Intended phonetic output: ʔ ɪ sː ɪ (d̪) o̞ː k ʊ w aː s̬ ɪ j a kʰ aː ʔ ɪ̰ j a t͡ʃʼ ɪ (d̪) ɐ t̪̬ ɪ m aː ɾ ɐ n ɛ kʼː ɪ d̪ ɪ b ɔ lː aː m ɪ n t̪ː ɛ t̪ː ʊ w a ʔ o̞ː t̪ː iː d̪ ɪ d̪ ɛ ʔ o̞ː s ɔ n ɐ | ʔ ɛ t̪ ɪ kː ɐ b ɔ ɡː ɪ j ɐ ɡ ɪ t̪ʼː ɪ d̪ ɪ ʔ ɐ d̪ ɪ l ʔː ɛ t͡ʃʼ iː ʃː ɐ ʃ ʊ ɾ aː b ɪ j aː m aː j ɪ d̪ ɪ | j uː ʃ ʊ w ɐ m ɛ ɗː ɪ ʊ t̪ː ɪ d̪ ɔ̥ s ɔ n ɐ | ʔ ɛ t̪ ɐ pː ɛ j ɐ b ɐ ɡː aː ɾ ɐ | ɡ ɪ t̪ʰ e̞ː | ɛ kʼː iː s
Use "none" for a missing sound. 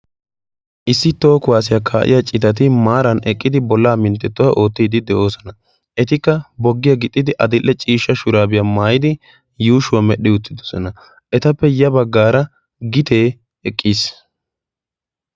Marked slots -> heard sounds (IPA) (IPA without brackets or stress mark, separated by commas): t̪, t̪